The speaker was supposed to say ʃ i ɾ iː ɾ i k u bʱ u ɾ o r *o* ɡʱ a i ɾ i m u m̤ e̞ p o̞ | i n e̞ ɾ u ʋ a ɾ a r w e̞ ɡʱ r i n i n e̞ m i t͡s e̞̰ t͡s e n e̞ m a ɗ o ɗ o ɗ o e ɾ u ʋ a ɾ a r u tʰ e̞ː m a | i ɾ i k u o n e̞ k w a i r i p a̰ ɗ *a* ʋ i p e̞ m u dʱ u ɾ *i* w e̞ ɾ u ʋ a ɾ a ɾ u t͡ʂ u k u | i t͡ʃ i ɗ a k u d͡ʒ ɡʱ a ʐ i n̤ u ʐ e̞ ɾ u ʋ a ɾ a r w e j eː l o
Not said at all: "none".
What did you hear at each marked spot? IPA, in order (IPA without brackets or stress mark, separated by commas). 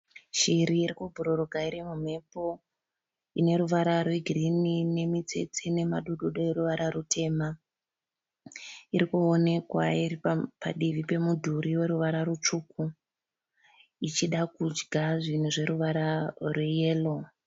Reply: o, i, i